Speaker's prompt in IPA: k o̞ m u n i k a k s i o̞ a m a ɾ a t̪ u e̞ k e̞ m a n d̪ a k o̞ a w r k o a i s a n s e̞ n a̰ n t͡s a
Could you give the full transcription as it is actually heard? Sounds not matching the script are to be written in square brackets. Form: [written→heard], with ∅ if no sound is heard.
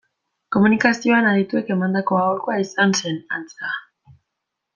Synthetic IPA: k o̞ m u n i k a [k→∅] s i o̞ a [m→n] a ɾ [a→i] t̪ u e̞ k e̞ m a n d̪ a k o̞ a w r k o a i s a n s e̞ n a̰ n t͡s a